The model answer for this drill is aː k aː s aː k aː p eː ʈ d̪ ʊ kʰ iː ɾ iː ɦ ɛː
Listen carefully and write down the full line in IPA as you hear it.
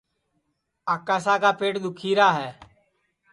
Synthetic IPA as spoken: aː k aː s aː k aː p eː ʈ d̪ ʊ kʰ iː ɾ aː ɦ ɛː